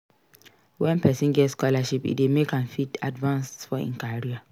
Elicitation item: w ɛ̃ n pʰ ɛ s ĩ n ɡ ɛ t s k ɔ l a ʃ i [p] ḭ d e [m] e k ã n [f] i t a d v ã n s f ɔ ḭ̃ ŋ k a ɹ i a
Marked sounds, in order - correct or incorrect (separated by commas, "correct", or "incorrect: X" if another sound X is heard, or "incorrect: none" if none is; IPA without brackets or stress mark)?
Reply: correct, correct, correct